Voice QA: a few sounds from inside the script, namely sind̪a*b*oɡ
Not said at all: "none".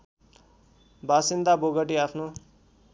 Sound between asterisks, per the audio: b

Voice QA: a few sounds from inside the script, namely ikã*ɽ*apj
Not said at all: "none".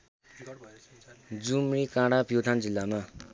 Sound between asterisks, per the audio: ɽ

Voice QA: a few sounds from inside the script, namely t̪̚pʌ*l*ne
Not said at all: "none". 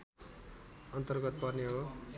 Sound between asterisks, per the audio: r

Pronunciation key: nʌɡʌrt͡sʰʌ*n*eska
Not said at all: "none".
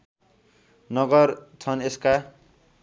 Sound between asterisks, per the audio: n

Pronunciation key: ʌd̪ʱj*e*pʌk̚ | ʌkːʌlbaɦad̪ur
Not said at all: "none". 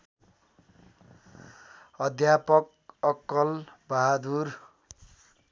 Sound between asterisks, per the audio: a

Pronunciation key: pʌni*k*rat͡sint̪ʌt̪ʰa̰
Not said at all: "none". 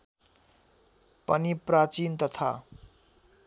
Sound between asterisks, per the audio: p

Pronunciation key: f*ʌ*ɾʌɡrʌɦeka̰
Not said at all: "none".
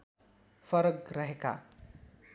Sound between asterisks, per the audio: ʌ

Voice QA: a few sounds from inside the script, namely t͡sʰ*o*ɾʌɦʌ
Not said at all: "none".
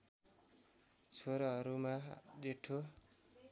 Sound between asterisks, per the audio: o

